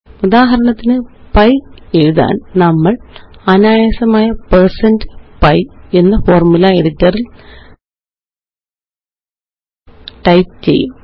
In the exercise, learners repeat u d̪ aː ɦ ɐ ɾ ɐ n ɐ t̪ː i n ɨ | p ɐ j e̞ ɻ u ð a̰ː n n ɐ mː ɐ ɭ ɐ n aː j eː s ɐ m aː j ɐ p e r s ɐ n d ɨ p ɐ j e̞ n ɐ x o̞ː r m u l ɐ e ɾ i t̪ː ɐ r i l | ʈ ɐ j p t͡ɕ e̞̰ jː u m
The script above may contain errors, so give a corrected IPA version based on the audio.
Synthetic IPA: u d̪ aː ɦ ɐ ɾ ɐ ɳ ɐ t̪ː i n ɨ | p ɐ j e̞ ɻ u ð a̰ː n n ɐ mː ɐ ɭ ɐ n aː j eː s ɐ m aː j ɐ p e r s ɐ n d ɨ p ɐ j e̞ nː ɐ f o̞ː r m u l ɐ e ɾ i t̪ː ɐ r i l | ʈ ɐ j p t͡ɕ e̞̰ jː u m

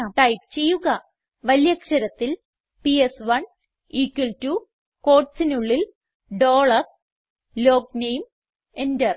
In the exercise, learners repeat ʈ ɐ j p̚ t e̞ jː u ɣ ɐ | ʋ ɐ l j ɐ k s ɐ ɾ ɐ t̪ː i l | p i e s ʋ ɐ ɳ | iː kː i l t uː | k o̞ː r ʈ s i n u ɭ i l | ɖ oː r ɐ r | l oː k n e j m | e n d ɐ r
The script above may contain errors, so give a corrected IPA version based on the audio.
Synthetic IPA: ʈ ɐ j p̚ t͡ɕ e̞ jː u ɣ ɐ | ʋ ɐ l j ɐ k ʂ ɐ ɾ ɐ t̪ː i l | p i e s ʋ ɐ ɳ | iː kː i l t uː | k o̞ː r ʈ s i n u ɭː i l | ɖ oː ɭ ɐ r | l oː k n e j m | e n d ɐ r

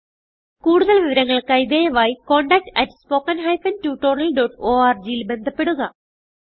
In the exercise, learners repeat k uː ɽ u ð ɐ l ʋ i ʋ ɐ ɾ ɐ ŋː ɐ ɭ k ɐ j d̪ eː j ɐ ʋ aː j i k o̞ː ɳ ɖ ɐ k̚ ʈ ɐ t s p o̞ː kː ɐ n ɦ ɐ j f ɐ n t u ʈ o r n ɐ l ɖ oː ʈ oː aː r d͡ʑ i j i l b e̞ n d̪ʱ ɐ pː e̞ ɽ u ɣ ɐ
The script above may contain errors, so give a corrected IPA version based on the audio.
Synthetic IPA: k uː ɽ u ð ɐ l ʋ i ʋ ɐ ɾ ɐ ŋː ɐ ɭ k ɐ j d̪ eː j ɐ ʋ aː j i k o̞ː ɳ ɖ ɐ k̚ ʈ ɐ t s p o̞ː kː ɐ n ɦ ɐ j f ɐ n t u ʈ o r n ɐ l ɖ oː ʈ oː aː r d͡ʑ i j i l b e̞ n d̪ʱ ɐ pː e̞ ɽ u ɣ ɐ

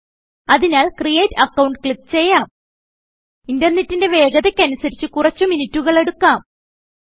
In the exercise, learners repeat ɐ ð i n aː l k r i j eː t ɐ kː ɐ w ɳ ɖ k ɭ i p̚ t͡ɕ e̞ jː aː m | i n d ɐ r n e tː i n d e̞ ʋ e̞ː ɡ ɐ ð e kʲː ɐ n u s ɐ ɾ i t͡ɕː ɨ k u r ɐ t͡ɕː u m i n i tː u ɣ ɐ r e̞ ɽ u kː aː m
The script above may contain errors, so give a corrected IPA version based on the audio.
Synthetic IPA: ɐ ð i n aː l k r i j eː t ɐ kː ɐ w ɳ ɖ k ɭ i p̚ t͡ɕ e̞ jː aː m | i n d ɐ r n e tː i n d e̞ ʋ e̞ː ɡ ɐ ð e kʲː ɐ n u s ɐ ɾ i t͡ɕː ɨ k u r ɐ t͡ɕː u m i n i tː u ɣ ɐ ɭ e̞ ɽ u kː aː m

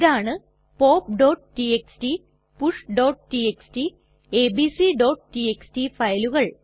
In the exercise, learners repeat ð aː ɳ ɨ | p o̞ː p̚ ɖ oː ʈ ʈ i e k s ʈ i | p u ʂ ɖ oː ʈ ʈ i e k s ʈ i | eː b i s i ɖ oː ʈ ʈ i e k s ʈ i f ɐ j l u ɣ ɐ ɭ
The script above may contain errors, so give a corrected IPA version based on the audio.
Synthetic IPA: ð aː ɳ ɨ | p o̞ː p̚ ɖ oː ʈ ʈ i e k s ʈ i | p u ʂ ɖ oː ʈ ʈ i e k s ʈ i | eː b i s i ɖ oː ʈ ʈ i e k s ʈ i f ɐ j l u ɣ ɐ ɭ

